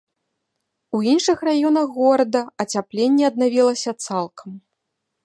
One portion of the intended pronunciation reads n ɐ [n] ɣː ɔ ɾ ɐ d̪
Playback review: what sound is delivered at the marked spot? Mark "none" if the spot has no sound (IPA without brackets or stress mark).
none